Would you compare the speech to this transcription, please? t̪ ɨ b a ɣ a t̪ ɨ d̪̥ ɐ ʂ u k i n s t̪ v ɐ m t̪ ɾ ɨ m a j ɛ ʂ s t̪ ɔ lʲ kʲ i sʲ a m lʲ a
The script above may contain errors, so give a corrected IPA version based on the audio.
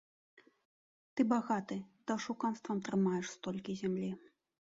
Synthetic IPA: t̪ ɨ b a ɣ a t̪ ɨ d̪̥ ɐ ʂ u k a n s t̪ v ɐ m t̪ ɾ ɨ m a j ɛ ʂ s t̪ ɔ lʲ kʲ i zʲ a m lʲ i